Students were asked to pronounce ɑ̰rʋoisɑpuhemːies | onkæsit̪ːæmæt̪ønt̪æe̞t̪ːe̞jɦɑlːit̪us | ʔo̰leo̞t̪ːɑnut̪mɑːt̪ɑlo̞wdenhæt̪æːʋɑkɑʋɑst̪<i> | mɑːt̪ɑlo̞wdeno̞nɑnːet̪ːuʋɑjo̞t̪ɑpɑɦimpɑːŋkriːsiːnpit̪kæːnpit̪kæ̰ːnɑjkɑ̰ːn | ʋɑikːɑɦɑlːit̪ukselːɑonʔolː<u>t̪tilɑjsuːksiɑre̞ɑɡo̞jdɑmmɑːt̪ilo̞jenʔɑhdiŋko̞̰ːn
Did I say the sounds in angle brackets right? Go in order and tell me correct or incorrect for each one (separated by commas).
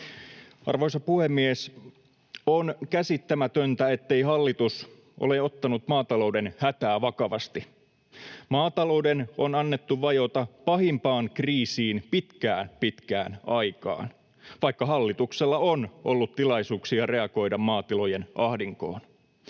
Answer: correct, correct